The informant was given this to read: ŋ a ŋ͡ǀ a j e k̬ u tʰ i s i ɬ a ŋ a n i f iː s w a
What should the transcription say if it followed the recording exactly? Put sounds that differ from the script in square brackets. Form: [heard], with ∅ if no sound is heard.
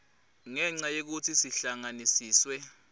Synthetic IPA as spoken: ŋ [ɛ] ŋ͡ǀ a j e k̬ u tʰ i s i ɬ a ŋ a n i [s] iː s w [ɛ]